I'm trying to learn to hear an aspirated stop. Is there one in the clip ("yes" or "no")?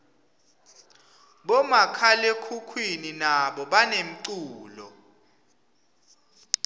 yes